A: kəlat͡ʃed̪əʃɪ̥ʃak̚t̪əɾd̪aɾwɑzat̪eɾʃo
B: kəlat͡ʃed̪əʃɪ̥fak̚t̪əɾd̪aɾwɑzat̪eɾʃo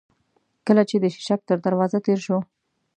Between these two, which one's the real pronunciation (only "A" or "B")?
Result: A